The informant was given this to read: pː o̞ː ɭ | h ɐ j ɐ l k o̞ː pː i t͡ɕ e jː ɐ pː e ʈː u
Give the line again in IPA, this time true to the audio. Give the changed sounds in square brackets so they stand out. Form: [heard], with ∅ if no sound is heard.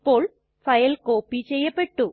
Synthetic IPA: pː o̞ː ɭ | [f] ɐ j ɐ l k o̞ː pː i t͡ɕ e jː ɐ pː e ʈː u